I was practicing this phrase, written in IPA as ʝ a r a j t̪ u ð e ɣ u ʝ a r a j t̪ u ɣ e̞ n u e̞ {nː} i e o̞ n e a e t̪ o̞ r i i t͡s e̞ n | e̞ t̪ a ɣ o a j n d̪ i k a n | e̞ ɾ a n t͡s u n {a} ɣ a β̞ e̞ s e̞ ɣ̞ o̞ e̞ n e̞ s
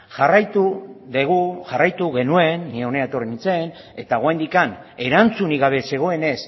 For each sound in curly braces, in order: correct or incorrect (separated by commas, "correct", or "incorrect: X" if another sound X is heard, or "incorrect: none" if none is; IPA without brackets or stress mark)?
correct, incorrect: i